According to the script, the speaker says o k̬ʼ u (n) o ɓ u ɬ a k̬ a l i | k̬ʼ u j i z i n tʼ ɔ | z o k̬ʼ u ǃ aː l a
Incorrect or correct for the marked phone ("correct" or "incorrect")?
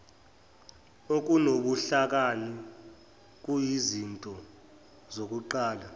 correct